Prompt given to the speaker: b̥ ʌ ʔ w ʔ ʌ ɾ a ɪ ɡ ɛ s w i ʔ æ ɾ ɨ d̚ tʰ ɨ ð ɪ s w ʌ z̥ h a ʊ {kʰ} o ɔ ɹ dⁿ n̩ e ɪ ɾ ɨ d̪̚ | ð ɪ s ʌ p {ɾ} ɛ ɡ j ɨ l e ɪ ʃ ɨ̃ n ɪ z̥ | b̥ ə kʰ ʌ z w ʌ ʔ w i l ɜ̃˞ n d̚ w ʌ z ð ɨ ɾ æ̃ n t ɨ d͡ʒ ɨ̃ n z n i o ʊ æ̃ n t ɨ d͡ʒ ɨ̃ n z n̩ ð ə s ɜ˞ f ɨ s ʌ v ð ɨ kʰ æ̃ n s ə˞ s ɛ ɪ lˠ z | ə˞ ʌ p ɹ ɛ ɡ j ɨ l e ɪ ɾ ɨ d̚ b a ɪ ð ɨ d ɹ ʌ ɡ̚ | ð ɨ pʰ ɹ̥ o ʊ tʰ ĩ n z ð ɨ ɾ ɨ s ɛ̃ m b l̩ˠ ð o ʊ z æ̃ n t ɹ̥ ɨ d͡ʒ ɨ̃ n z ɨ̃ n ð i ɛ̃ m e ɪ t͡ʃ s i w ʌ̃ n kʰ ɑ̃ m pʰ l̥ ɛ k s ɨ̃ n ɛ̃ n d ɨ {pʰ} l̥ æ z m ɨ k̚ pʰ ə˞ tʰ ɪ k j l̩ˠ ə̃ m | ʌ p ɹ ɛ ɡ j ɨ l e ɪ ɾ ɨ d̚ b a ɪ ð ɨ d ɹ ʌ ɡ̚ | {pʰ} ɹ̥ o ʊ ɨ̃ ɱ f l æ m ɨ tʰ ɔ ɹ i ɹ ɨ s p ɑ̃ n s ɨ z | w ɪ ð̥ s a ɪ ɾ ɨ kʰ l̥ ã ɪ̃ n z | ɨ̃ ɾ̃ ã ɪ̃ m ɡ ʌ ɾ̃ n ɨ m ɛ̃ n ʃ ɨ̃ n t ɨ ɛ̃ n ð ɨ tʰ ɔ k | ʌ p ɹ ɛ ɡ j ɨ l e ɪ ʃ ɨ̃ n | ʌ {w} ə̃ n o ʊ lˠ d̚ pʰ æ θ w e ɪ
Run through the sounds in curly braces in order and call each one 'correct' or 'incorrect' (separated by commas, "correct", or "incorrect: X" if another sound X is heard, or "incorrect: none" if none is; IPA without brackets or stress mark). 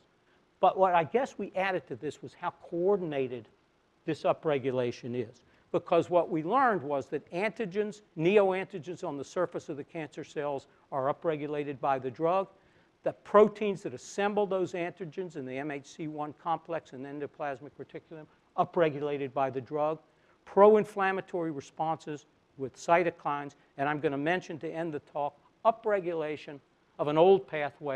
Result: correct, incorrect: ɹ, correct, correct, incorrect: v